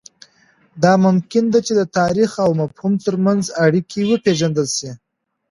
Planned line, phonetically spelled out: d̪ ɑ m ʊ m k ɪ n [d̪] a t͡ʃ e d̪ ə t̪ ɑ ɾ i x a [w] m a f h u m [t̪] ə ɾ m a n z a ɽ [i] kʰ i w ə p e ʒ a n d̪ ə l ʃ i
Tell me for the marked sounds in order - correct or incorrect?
correct, correct, correct, correct

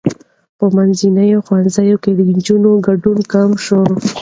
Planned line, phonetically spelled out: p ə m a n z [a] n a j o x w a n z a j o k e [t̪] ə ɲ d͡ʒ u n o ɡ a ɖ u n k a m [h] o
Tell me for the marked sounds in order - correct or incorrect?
incorrect: i, incorrect: d̪, incorrect: ʃ

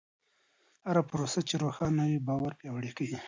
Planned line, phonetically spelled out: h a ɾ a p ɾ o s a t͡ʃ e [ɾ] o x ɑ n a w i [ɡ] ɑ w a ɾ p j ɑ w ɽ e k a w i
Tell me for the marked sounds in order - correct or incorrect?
correct, incorrect: b

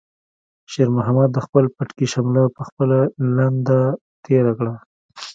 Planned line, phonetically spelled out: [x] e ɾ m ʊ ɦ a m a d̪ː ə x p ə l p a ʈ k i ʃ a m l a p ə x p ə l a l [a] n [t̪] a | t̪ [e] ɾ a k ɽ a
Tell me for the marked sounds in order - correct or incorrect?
incorrect: ʃ, correct, incorrect: d̪, correct

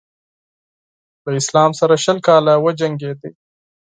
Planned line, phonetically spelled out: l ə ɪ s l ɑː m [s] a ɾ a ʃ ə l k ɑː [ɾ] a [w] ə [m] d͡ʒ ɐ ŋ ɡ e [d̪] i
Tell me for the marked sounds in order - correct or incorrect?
correct, incorrect: l, correct, incorrect: none, correct

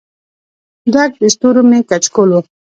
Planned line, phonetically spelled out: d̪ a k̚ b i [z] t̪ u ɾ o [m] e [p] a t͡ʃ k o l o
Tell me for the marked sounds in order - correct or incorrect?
incorrect: s, correct, incorrect: k

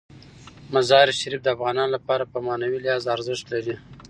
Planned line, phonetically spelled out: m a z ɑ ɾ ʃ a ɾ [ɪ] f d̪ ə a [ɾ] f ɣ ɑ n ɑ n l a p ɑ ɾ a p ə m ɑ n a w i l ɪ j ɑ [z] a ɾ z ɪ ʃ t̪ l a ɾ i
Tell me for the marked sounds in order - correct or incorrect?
incorrect: i, incorrect: none, correct

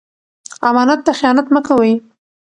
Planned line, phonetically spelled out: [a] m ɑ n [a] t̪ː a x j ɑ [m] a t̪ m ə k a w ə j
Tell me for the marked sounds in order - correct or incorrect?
correct, correct, incorrect: n

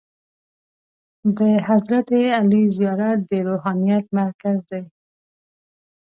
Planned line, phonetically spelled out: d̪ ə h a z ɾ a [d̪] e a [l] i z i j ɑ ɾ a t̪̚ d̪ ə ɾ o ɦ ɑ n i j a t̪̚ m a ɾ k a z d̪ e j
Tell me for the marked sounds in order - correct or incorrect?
incorrect: t̪, correct

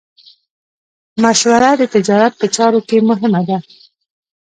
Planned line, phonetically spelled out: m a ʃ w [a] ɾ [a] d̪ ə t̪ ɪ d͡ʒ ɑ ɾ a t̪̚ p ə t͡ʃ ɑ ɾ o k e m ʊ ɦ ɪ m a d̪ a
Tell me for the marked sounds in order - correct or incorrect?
correct, correct

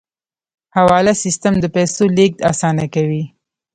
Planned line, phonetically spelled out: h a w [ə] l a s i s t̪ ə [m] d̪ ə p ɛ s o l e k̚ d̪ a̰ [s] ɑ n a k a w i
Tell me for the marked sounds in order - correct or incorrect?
incorrect: ɑ, correct, correct

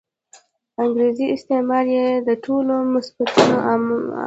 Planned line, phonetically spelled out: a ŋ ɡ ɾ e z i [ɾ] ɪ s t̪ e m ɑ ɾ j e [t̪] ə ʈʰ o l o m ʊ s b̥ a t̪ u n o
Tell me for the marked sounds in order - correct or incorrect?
incorrect: none, incorrect: d̪

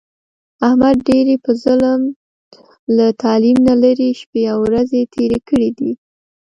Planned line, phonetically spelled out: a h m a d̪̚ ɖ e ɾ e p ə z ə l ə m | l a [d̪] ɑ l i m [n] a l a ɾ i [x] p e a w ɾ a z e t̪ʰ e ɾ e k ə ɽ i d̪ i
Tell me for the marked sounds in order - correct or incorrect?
incorrect: t̪, correct, incorrect: ʃ

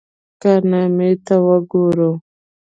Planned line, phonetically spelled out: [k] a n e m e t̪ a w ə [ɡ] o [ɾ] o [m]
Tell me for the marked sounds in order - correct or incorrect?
correct, correct, correct, incorrect: none

